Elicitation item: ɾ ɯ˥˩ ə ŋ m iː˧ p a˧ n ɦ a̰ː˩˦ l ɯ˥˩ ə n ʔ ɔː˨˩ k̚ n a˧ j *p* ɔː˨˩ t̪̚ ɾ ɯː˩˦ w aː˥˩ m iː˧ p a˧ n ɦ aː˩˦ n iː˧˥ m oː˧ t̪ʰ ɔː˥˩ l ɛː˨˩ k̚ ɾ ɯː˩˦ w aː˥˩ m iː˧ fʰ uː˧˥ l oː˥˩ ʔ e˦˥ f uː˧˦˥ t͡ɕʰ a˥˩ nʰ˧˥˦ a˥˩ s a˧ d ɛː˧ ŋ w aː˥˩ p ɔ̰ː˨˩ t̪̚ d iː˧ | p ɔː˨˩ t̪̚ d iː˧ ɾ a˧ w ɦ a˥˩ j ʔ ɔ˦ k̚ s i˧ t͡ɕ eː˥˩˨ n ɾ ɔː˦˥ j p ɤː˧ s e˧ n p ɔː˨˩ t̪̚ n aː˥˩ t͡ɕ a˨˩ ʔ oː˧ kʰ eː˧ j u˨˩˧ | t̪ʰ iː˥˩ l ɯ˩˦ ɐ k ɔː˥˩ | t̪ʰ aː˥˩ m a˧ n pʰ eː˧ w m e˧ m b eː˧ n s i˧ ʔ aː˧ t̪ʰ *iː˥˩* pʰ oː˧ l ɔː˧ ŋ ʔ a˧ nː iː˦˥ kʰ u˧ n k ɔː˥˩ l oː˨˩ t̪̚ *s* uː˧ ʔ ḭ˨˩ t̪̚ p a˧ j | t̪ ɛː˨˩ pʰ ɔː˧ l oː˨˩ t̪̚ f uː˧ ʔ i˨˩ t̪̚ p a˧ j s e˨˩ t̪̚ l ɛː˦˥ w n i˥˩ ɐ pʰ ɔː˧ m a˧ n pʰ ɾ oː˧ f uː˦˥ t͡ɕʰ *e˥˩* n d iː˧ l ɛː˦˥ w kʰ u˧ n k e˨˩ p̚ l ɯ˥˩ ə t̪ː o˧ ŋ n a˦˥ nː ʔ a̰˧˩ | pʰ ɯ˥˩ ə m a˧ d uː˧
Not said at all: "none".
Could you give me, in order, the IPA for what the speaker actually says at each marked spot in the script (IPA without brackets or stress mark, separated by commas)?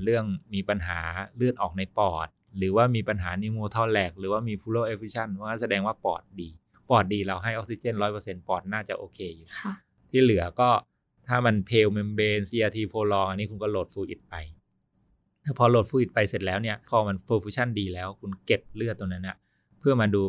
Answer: p, iː˧, f, a˥˩